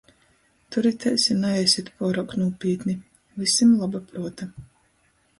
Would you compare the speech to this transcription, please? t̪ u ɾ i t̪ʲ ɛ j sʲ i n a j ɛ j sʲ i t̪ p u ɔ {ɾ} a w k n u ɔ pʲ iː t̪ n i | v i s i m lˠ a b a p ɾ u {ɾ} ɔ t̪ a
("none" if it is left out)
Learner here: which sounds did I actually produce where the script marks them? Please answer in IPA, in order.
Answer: ɾ, none

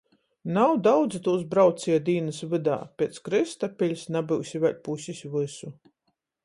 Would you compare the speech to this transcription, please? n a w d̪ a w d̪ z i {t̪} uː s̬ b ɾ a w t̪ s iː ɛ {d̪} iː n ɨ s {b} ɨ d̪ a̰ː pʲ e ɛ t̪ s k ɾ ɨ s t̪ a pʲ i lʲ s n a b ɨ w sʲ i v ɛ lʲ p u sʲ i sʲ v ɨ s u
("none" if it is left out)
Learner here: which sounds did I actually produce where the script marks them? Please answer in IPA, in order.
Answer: t̪, d̪, v

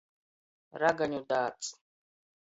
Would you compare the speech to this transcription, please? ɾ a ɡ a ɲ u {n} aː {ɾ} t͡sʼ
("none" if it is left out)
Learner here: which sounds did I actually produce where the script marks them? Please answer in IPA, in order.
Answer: d, none

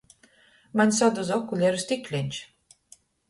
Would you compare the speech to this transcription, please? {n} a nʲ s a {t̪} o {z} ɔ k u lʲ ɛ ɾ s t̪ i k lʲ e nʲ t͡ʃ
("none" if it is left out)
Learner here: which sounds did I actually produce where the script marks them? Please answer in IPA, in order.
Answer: m, d̪, z

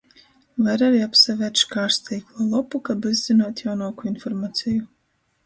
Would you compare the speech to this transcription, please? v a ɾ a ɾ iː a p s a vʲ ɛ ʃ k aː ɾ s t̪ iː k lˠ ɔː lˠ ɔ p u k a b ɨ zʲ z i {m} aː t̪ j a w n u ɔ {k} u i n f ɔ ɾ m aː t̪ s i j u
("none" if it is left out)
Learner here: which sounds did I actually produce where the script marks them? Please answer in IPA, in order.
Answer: n, k

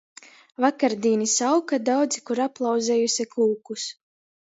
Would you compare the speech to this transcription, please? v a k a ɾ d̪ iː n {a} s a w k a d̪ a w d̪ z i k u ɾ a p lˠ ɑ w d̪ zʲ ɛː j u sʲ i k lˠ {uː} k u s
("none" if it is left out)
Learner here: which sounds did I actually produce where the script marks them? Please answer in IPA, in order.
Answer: i, uː

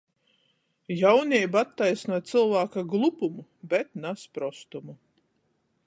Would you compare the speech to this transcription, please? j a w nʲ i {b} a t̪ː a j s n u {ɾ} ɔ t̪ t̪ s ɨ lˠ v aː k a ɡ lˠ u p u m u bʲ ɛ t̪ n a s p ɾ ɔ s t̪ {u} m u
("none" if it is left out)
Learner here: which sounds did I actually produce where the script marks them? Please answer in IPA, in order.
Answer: b, none, u

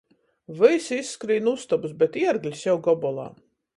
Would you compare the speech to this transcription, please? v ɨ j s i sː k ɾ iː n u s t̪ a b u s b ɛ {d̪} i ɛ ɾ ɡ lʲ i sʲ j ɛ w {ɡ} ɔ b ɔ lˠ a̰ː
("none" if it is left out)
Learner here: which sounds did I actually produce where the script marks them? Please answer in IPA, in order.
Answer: t̪, ɡ

